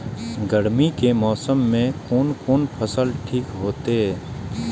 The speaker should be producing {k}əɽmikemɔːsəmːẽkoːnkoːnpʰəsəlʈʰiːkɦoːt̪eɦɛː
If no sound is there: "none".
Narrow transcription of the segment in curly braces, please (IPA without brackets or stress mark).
ɡ